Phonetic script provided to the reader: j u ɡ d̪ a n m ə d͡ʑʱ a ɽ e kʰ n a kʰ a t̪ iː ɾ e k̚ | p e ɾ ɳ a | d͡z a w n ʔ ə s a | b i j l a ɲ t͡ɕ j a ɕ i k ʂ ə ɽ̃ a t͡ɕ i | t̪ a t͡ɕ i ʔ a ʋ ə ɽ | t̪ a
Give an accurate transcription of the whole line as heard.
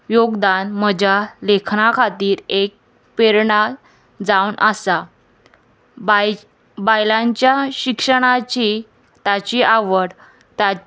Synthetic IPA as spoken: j o ɡ d̪ a n m ə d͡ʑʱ a l e kʰ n a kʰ a t̪ iː ɾ e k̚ | p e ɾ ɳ a | d͡z a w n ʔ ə s a | b a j l a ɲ t͡ɕ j a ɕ i k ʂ ə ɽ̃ a t͡ɕ i | t̪ a t͡ɕ i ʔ a ʋ ə ɽ | t̪ a

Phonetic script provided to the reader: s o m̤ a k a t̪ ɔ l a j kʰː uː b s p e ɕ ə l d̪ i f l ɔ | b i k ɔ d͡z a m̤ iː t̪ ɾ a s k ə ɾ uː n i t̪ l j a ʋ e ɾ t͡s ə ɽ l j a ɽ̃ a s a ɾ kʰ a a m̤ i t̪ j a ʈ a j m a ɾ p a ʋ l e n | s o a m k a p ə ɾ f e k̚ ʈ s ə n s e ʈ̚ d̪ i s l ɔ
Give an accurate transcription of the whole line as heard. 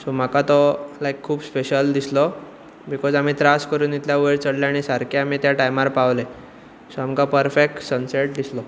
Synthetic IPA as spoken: s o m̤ a k a t̪ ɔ l a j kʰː uː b s p e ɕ ə l d̪ i s l ɔ | b i k ɔ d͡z a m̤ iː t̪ ɾ a s k ə ɾ uː n i t̪ l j a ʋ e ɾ t͡s ə ɽ l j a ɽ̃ i s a ɾ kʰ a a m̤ i t̪ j a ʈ a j m a ɾ p a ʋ l e | s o a m k a p ə ɾ f e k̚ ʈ s ə n s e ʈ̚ d̪ i s l ɔ

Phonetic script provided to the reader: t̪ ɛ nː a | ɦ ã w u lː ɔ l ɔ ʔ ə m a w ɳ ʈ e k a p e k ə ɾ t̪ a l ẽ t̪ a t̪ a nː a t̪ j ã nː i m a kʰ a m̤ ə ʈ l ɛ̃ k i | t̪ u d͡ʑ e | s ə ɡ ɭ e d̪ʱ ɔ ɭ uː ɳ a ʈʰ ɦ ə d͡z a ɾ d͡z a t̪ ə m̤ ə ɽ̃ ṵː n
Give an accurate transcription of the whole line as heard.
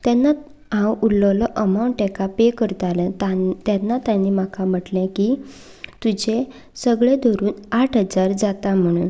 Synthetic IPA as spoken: t̪ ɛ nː a | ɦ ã w u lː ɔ l ɔ ʔ ə m a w ɳ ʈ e k a p e k ə ɾ t̪ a l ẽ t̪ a t̪ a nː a t̪ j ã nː i m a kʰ a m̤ ə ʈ l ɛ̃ k i | t̪ u d͡ʑ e | s ə ɡ ɭ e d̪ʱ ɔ ɾ uː n a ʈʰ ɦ ə d͡z a ɾ d͡z a t̪ a m̤ ə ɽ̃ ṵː n

